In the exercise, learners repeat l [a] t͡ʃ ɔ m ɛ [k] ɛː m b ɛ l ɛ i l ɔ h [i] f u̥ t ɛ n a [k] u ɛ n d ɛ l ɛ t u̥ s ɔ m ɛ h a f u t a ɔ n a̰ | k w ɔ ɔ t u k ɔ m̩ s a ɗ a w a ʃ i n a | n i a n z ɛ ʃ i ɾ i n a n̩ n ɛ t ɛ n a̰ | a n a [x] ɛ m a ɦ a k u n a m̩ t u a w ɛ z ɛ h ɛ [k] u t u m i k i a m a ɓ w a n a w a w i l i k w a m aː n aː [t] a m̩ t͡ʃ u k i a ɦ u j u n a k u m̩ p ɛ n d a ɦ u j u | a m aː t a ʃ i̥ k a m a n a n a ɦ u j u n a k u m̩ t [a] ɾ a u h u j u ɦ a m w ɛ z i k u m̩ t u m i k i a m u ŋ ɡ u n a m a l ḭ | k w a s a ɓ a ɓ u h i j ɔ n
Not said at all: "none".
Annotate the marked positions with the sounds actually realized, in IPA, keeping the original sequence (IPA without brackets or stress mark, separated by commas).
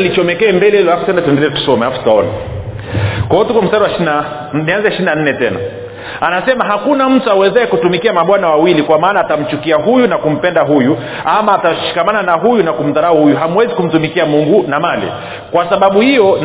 i, k, a, t, s, k, t, a